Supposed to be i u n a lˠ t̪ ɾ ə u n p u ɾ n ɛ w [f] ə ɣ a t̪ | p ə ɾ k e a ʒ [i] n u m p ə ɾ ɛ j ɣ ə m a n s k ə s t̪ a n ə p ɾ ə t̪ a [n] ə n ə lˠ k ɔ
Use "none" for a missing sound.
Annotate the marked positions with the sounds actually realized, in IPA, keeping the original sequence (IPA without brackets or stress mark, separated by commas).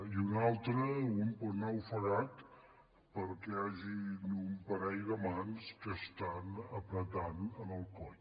f, i, n